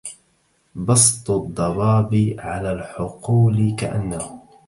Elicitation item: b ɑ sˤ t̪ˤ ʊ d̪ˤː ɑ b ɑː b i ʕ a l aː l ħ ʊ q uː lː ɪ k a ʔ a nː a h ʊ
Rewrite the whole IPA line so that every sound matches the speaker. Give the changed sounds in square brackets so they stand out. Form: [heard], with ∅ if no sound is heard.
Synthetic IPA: b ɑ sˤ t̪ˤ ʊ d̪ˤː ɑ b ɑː b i ʕ a l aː l ħ ʊ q uː [l] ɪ k a ʔ a nː a h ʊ